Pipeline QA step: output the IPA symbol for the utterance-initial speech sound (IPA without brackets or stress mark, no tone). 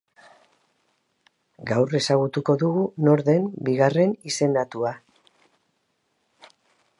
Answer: ɡ